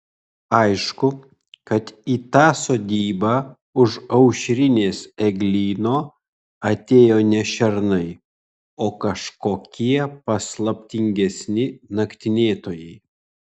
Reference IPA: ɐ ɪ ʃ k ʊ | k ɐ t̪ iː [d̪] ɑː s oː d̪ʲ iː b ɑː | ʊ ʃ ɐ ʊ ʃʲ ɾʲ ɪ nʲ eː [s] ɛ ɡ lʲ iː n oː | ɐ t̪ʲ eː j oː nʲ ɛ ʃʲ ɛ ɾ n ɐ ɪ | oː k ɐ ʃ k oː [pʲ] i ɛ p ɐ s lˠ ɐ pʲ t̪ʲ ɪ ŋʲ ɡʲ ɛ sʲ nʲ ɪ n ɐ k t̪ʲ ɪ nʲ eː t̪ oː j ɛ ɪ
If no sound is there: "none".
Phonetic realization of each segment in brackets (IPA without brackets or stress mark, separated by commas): t̪, s, kʲ